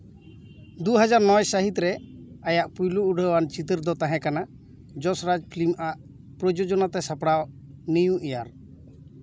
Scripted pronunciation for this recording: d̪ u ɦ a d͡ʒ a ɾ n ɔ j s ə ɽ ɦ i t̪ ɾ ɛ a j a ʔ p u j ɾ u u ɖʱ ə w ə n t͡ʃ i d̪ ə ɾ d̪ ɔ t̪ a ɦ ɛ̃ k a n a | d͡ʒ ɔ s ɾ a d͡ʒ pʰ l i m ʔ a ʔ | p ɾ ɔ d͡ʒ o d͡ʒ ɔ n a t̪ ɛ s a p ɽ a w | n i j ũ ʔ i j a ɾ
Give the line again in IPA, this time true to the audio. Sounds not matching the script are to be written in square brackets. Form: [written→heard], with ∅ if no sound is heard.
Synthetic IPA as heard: d̪ u ɦ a d͡ʒ a ɾ n ɔ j s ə [ɽ→∅] ɦ i t̪ ɾ ɛ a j a ʔ p u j [ɾ→l] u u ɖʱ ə w [ə→a] n t͡ʃ i [d̪→t̪] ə ɾ d̪ ɔ t̪ a ɦ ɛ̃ k a n a | d͡ʒ ɔ s ɾ a d͡ʒ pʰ l i m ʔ a ʔ | p ɾ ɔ d͡ʒ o d͡ʒ ɔ n a t̪ ɛ s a p ɽ a w | n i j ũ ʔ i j a ɾ

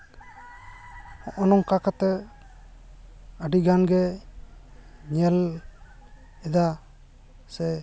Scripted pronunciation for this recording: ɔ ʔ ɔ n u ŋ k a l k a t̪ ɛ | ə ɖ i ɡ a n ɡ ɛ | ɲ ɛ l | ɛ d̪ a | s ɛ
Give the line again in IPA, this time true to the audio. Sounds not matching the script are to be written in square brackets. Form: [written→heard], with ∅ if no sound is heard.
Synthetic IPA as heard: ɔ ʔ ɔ n [u→ɔ] ŋ k a [l→∅] k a t̪ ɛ | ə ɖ i ɡ a n ɡ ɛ | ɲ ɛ l | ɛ d̪ a | s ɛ

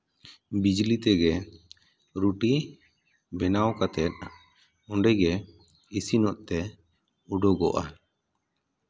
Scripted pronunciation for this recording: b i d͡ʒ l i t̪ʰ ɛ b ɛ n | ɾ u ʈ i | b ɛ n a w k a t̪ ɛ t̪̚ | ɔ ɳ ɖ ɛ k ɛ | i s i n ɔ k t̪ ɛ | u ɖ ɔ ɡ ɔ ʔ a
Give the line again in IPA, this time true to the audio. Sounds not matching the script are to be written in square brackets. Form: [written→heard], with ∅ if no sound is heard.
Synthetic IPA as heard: b i d͡ʒ l i [t̪ʰ→t̪] ɛ [b→ɡ] ɛ [n→∅] | ɾ u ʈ i | b ɛ n a w k a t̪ ɛ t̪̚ | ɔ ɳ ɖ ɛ [k→ɡ] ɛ | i s i n ɔ [k→ʔ] t̪ ɛ | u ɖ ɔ ɡ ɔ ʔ a

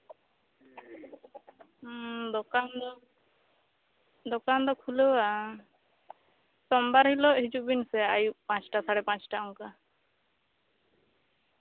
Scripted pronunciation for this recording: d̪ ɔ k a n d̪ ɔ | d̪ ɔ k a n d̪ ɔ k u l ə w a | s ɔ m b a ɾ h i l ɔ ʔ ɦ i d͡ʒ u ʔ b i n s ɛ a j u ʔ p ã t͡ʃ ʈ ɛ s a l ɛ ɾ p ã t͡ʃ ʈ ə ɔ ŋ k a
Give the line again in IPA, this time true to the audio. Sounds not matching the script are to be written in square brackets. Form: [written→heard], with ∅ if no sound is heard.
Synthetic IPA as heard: d̪ ɔ k a n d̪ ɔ | d̪ ɔ k a n d̪ ɔ [k→kʰ] u l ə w a | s ɔ m b a ɾ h i l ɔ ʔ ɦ i d͡ʒ u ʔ b i n s ɛ a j u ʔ p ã t͡ʃ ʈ [ɛ→a] s a [l→ɽ] ɛ [ɾ→∅] p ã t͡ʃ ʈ [ə→a] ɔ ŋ k a

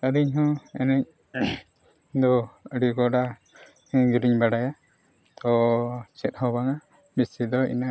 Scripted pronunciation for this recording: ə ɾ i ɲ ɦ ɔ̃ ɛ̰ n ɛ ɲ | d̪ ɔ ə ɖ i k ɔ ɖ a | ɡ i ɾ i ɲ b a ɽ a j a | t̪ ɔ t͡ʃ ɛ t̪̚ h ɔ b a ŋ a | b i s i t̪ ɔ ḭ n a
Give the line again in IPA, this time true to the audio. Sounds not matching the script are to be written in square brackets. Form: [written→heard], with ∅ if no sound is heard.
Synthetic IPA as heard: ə ɾ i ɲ ɦ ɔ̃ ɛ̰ n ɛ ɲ | d̪ ɔ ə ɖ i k ɔ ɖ a | ɡ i ɾ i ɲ b a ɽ a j a | t̪ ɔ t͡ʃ ɛ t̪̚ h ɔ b a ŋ a | b i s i [t̪→d̪] ɔ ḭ n a

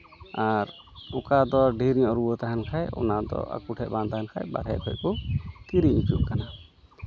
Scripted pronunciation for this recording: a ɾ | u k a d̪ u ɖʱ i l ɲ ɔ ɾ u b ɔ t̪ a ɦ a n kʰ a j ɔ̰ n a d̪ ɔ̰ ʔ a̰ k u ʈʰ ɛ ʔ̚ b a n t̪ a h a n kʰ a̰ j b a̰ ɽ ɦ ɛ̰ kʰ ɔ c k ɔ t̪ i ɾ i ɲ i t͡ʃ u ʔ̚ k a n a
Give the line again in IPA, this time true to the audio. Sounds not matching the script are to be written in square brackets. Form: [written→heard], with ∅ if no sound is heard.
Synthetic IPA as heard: a ɾ | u k a d̪ [u→ɔ] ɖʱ i [l→ɾ] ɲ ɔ ɾ u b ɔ t̪ a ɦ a n kʰ a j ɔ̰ n a d̪ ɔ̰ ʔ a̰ k u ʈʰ ɛ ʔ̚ b a n t̪ a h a n kʰ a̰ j b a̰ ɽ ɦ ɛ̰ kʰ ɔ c k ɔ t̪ i ɾ i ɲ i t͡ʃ u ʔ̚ k a n a

